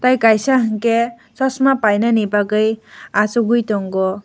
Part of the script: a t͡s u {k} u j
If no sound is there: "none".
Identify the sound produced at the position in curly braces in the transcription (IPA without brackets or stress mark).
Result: ɡ